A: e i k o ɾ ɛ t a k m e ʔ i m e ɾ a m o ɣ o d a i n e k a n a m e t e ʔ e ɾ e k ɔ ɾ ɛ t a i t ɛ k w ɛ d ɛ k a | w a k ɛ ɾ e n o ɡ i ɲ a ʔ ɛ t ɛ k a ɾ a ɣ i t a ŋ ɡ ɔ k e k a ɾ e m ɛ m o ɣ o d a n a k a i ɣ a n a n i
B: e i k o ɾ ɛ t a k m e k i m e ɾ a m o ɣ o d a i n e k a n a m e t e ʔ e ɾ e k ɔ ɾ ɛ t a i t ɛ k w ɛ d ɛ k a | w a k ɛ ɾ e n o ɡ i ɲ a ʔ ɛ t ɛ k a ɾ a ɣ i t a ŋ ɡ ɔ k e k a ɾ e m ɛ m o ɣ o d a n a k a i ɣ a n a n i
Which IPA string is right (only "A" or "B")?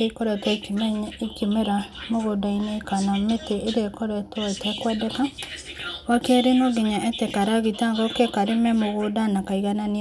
B